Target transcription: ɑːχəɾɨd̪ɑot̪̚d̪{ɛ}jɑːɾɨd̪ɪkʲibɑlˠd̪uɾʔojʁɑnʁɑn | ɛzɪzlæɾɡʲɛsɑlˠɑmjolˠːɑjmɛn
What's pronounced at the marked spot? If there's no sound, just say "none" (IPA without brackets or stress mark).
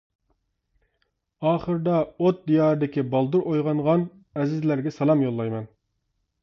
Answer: i